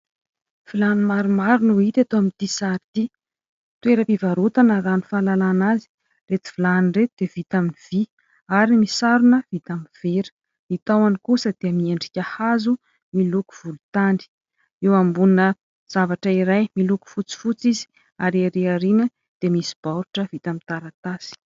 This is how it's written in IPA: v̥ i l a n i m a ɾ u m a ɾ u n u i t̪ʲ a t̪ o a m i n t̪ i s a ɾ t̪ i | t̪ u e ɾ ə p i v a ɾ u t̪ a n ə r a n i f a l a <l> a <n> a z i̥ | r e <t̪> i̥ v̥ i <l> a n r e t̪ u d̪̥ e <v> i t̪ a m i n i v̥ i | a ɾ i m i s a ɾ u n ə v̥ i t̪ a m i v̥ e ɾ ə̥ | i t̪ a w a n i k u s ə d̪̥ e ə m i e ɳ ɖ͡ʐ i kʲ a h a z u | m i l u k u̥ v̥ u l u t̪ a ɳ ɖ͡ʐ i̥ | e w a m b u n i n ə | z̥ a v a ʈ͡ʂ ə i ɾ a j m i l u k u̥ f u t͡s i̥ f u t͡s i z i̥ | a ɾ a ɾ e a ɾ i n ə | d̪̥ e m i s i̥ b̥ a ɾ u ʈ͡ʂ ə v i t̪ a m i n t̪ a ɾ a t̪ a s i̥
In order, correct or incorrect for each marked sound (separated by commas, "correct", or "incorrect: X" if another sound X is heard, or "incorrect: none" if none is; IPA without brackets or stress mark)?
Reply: correct, correct, correct, correct, correct